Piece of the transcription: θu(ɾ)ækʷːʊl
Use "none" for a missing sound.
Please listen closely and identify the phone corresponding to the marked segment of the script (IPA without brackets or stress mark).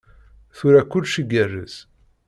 ɾ